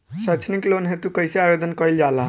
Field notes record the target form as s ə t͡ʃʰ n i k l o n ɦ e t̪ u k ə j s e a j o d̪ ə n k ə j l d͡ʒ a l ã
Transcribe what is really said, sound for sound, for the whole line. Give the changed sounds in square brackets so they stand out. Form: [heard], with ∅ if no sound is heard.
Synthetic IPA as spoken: s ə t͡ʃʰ n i k l o n ɦ e t̪ u k ə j s e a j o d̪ ə n k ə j l d͡ʒ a l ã